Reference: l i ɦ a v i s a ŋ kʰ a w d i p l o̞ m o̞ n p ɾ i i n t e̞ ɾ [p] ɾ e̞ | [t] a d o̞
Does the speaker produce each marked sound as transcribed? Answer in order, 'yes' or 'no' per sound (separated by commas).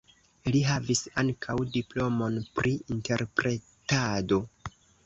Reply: yes, yes